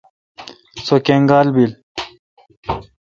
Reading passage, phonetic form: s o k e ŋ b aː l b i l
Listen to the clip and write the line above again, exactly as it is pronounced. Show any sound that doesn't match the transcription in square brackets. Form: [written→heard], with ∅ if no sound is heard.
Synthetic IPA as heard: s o k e ŋ [b→ɡ] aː l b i l